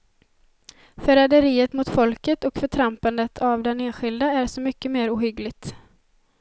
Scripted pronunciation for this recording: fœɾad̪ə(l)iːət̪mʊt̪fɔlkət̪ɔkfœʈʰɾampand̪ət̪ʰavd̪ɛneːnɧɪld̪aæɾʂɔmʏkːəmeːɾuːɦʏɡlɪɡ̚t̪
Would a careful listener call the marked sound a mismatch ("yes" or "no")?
yes